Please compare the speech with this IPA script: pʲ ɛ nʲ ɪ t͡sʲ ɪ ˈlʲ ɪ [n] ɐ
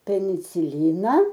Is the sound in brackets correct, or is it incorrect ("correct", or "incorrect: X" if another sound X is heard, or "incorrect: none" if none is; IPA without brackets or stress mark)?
correct